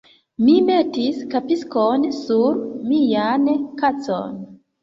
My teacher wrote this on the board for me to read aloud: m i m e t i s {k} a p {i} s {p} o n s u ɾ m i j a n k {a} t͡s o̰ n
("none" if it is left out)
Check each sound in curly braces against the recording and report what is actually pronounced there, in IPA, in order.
k, i, k, a

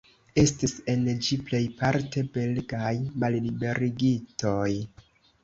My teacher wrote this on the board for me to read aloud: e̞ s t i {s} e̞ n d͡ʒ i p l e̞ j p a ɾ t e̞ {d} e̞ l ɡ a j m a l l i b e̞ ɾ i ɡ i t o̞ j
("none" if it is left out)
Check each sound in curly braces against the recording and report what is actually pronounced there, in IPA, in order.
s, b

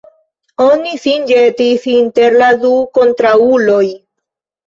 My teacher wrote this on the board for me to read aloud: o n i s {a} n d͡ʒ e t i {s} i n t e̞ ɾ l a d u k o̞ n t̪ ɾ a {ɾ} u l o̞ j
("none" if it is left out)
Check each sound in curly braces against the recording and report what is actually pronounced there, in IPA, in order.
i, s, none

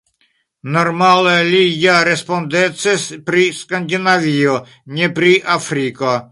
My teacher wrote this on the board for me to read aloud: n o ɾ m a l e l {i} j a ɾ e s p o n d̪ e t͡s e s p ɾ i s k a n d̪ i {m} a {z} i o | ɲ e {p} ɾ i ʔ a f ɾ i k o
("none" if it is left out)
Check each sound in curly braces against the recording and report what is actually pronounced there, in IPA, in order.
i, n, v, p

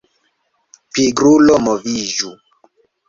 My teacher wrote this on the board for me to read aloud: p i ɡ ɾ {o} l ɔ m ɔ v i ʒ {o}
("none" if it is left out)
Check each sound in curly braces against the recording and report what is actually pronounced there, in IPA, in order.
u, u

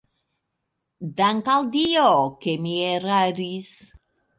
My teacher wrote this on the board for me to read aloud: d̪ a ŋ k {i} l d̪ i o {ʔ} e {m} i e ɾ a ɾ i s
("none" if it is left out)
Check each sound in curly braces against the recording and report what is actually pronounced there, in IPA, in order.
a, k, m

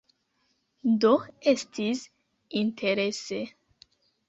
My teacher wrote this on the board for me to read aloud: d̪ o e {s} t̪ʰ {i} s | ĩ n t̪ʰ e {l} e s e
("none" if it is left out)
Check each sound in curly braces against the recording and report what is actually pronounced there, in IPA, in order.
s, i, ɾ

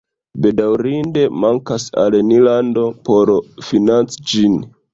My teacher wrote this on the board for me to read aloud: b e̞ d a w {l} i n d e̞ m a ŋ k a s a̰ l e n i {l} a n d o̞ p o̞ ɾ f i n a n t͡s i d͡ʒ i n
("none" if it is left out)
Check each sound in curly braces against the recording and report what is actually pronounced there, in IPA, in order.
ɾ, l

